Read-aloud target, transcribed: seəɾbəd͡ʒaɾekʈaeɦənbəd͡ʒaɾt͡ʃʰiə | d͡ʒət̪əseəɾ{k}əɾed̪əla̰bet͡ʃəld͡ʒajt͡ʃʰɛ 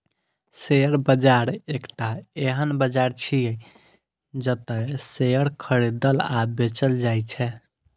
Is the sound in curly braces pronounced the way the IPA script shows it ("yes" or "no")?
no